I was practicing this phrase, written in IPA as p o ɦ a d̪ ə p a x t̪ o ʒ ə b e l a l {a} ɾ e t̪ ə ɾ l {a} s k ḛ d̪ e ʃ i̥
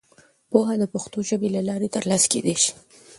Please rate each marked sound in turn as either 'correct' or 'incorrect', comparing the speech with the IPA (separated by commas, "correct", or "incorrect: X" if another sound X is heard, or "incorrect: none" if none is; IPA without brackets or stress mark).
incorrect: ɑ, incorrect: ɑ